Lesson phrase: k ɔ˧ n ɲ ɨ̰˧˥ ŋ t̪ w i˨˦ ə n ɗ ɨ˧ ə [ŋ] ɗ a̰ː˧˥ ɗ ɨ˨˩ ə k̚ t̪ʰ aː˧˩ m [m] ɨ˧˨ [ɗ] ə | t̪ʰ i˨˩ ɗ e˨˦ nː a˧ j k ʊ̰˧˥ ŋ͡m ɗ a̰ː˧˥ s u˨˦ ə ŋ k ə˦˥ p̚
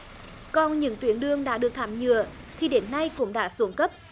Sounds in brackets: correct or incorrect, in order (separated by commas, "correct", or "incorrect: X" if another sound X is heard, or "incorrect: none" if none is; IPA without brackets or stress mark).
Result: correct, incorrect: ɲ, incorrect: none